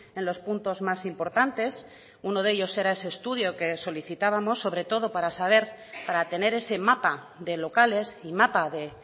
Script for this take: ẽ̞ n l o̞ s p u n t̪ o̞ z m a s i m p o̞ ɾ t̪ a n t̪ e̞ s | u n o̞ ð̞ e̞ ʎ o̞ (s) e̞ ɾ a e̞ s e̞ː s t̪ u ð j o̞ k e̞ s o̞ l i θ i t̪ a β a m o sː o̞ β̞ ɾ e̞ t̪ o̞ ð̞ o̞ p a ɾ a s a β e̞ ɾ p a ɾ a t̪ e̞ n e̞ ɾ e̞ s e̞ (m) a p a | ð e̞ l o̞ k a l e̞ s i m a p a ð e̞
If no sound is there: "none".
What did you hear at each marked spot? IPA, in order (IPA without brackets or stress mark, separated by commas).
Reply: s, m